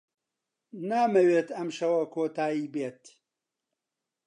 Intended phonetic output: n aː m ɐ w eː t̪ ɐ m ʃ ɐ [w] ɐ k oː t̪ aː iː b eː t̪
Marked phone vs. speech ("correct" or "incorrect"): correct